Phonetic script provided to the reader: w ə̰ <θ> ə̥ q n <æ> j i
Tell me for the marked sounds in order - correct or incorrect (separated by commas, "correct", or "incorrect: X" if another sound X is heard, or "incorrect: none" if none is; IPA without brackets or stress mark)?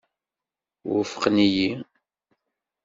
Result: incorrect: f, incorrect: i